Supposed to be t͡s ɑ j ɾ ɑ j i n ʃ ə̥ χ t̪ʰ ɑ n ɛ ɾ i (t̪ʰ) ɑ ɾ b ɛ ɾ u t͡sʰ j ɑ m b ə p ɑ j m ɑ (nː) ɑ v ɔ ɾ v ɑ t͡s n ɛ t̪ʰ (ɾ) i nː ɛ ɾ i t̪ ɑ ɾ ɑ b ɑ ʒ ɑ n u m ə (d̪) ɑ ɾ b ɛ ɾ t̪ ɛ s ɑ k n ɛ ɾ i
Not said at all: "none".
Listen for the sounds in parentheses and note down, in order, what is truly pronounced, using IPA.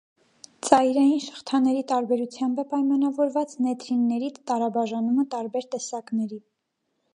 t̪, n, ɾ, t̪

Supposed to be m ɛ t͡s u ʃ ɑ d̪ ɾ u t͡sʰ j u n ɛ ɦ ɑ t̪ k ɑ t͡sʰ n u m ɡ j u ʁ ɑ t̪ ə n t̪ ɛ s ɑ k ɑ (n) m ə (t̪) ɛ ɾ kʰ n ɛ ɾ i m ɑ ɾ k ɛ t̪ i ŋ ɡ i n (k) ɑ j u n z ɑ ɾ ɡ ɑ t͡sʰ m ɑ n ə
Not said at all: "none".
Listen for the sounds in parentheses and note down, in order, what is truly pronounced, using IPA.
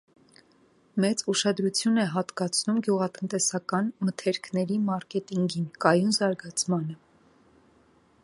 n, t̪ʰ, k

